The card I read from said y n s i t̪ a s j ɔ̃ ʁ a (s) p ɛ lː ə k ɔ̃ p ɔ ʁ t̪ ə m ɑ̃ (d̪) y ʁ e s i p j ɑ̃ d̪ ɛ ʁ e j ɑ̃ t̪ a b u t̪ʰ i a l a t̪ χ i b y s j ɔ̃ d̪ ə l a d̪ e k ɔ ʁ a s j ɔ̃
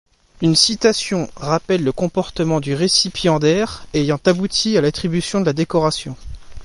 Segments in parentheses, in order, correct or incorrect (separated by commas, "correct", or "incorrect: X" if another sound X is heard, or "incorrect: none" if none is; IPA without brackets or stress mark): incorrect: none, correct